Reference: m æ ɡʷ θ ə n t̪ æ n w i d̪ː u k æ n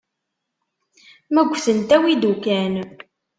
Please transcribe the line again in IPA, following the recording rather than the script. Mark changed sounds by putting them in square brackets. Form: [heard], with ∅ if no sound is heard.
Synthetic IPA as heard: m æ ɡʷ θ ə n t̪ æ [∅] w i [d̪] u k æ n